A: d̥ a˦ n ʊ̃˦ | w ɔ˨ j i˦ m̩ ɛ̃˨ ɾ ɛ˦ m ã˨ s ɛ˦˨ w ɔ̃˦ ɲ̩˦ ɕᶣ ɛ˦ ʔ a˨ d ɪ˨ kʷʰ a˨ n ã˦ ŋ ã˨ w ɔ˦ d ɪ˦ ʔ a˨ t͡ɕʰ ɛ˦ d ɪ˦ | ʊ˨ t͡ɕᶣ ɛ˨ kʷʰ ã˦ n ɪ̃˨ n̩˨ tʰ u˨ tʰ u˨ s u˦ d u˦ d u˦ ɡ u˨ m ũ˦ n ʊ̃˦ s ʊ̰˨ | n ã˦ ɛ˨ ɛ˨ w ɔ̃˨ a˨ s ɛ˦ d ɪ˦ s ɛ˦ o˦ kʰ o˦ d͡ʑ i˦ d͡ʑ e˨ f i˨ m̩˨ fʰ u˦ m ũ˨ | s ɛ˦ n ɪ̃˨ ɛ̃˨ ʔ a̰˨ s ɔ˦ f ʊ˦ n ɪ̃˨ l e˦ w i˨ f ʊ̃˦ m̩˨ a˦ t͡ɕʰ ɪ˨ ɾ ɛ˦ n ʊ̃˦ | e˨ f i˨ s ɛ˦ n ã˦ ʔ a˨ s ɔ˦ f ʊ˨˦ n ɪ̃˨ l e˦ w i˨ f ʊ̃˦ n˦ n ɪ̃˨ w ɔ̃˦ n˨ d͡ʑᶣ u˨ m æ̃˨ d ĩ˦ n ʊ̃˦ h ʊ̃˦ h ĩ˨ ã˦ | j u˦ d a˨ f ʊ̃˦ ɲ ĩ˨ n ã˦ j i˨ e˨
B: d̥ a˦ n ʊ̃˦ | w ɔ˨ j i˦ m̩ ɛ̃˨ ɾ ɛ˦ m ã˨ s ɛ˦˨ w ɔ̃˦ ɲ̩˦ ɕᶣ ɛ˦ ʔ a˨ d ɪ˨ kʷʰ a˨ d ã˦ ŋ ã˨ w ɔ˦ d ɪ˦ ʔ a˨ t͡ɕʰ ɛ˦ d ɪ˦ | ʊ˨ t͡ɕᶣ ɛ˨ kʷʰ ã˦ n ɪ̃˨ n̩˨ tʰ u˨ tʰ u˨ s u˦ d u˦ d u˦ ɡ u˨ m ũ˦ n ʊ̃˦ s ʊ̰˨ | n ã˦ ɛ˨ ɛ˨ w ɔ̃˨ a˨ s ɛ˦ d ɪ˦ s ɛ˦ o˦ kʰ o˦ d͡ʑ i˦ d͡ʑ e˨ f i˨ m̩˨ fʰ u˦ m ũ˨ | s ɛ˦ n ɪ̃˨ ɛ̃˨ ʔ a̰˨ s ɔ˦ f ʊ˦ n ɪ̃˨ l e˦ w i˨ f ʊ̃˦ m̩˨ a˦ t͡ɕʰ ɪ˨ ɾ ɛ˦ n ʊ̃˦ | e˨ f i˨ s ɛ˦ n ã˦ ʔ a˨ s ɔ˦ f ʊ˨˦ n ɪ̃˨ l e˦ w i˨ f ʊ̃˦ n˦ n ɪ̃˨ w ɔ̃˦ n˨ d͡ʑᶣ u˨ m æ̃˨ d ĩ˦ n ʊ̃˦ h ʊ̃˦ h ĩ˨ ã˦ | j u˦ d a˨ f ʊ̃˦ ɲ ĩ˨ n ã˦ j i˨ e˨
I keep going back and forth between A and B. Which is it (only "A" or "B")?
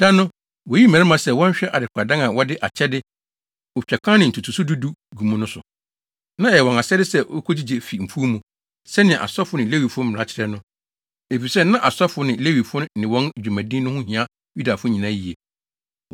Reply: B